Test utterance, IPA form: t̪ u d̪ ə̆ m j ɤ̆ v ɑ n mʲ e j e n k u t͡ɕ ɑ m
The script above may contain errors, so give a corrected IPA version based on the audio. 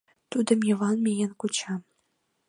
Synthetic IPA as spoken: t̪ u d̪ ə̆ m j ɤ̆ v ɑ n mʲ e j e n k u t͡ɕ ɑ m

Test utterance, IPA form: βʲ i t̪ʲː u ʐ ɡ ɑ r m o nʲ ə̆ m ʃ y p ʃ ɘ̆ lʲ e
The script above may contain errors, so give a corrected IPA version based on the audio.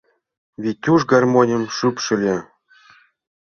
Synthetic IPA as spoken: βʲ i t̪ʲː u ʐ ɡ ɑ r m o nʲ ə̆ m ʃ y p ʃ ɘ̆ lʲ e

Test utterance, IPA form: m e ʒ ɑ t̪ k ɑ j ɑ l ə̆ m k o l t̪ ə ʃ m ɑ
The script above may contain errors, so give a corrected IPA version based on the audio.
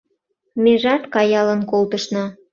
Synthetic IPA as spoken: m e ʒ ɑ t̪ k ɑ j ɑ l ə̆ n k o l t̪ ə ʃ n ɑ

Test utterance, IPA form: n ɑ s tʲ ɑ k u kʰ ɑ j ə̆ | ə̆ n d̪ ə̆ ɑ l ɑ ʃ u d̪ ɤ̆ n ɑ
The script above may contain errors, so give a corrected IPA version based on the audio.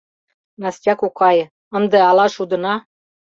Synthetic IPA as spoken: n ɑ s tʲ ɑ k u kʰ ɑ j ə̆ | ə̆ n d̪ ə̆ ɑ l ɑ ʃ u d̪ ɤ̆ n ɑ

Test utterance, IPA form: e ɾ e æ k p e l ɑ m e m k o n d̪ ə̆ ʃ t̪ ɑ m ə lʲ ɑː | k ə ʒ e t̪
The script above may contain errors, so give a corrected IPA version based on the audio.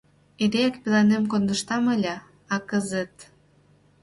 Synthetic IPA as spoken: e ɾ e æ k p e l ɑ n e m k o n d̪ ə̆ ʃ t̪ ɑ m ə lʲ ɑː | k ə z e t̪

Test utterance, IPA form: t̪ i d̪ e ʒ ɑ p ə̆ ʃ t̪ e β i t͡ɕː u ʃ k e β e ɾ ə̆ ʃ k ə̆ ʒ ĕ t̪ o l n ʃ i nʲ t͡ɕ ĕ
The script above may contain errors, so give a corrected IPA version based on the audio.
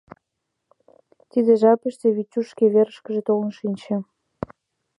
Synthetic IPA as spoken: t̪ i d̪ e ʒ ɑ p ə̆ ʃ t̪ e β i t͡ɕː u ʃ k e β e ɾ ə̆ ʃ k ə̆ ʒ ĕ t̪ o l n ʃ i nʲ t͡ɕ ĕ

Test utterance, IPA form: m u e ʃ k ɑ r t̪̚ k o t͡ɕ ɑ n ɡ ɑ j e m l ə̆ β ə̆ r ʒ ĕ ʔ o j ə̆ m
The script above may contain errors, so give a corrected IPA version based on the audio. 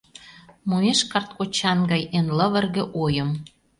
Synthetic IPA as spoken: m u e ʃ k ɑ r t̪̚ k o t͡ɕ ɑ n ɡ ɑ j e n l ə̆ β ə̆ r ɣ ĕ ʔ o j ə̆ m

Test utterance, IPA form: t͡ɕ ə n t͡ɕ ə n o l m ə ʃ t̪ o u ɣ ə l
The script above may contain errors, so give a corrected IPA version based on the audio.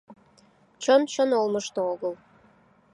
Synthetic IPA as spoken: t͡ɕ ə n t͡ɕ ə n o l m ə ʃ t̪ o o ɣ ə l

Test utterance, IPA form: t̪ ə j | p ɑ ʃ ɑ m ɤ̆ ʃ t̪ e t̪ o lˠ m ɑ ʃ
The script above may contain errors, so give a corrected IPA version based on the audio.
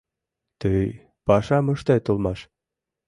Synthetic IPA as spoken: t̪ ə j | p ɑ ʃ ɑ m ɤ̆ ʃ t̪ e t̪ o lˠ m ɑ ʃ

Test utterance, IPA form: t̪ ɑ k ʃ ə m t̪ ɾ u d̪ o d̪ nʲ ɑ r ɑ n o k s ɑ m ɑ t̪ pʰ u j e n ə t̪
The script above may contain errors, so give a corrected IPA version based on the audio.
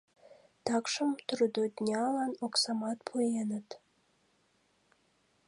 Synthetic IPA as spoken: t̪ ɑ k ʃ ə m t̪ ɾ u d̪ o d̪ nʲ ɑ l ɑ n o k s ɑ m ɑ t̪ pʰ u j e n ə t̪

